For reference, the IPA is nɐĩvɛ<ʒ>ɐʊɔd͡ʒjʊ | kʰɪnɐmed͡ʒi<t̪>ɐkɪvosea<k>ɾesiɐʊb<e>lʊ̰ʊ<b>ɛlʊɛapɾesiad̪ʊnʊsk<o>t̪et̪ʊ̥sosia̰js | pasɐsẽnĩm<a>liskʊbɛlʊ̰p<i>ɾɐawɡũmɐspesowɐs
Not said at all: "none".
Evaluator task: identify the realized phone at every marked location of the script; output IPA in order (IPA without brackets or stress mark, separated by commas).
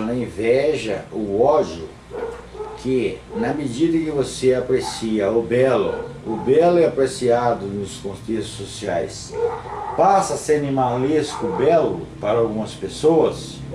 ʒ, d̪, p, ɛ, b, õ, a, a